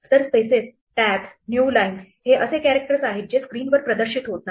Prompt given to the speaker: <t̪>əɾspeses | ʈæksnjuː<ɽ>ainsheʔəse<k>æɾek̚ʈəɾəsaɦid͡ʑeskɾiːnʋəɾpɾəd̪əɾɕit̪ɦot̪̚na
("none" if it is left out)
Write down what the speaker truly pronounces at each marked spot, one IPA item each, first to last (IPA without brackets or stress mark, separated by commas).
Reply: t̪, l, k